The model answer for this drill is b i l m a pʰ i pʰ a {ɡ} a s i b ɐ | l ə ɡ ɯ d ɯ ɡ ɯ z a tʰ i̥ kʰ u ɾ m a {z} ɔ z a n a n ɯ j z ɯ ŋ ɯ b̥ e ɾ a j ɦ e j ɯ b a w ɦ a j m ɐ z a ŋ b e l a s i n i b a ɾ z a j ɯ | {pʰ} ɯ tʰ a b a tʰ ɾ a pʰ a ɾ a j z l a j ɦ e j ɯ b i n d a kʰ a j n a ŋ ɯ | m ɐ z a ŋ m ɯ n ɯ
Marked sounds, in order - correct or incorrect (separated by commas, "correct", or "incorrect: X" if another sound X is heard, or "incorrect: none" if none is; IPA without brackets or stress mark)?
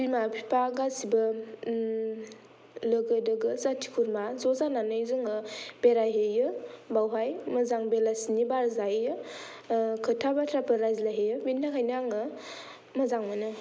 correct, correct, incorrect: kʰ